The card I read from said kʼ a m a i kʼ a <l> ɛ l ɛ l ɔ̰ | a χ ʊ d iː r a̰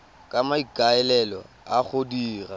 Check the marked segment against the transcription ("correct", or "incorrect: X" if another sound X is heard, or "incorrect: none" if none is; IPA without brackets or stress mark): incorrect: none